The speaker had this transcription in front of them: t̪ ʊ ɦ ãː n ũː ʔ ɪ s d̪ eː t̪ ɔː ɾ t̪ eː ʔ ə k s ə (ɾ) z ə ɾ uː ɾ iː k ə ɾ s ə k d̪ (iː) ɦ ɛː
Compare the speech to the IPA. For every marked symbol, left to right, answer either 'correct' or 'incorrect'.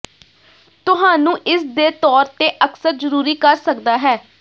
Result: correct, incorrect

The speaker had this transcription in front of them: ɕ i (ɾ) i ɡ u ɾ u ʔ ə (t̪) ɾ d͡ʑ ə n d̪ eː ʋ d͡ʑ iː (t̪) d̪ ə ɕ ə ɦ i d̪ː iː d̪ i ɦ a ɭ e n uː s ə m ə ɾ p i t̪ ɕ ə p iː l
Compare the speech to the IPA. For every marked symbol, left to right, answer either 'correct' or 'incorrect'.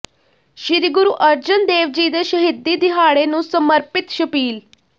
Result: correct, incorrect, incorrect

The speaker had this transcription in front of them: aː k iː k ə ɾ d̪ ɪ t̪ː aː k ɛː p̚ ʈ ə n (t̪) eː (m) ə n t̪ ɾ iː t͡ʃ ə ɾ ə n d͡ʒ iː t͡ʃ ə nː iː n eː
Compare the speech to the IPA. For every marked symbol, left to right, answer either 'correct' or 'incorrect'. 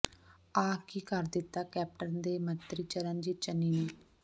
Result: incorrect, correct

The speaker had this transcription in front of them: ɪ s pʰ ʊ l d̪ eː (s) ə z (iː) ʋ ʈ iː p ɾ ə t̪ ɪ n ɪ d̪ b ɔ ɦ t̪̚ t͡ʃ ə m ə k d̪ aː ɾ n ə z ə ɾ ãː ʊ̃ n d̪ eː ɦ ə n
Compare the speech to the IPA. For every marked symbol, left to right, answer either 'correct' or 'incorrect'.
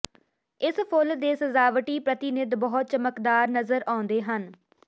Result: correct, incorrect

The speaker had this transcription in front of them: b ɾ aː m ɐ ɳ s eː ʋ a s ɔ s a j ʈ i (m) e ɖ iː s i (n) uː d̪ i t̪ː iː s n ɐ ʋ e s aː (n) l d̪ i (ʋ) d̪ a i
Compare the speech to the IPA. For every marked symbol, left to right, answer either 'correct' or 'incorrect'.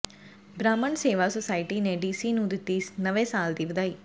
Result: incorrect, correct, incorrect, correct

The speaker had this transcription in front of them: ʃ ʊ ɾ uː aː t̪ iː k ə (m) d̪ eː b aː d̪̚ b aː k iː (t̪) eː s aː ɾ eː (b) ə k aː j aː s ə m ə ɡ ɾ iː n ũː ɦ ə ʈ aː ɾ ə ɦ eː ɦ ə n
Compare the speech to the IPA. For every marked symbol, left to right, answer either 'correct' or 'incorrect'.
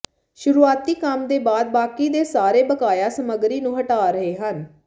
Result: correct, incorrect, correct

